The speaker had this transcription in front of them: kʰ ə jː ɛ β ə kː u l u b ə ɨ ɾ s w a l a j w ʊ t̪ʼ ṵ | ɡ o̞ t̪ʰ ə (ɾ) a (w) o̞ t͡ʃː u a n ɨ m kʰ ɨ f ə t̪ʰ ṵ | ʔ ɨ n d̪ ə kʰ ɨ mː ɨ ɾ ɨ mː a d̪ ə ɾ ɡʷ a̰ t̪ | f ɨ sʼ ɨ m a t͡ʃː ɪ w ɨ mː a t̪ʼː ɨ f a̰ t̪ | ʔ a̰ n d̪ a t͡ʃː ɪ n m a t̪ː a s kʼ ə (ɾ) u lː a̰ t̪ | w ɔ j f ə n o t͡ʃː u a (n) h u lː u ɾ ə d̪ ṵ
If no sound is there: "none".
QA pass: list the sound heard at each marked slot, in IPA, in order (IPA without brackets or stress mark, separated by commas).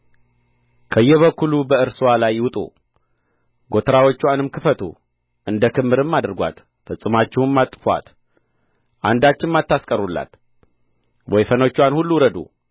ɾ, w, ɾ, n